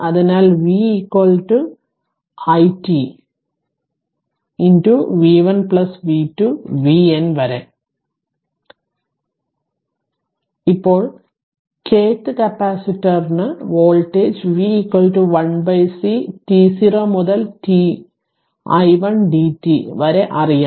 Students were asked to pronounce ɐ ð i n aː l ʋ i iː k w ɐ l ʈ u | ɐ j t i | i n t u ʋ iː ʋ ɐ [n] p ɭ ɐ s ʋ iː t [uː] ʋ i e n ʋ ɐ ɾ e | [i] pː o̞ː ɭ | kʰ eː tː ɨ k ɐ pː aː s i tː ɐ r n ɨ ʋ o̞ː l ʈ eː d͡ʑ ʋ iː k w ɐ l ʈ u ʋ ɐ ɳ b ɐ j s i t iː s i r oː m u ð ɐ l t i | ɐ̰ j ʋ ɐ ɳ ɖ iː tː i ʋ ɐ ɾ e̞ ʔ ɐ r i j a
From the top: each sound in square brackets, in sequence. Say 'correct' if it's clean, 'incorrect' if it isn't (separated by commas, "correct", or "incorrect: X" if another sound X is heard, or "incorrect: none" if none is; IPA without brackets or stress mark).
correct, incorrect: u, correct